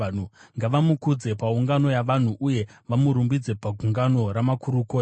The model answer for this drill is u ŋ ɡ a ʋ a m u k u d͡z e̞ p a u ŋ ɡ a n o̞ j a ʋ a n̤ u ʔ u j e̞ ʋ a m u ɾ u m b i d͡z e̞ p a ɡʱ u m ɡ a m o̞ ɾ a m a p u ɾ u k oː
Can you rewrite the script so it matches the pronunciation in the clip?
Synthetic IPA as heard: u ŋ ɡ a ʋ a m u k u d͡z e̞ p a u ŋ ɡ a n o̞ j a ʋ a n̤ u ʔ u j e̞ ʋ a m u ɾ u m b i d͡z e̞ p a ɡʱ u ŋ ɡ a n o̞ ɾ a m a k u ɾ u k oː